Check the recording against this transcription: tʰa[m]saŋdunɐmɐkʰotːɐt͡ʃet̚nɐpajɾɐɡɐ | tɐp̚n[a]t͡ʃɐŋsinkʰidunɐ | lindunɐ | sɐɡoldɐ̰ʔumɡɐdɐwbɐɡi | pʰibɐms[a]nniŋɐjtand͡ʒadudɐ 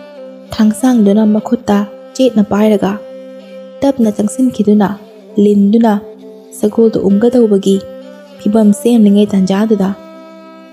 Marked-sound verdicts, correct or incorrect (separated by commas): incorrect, incorrect, incorrect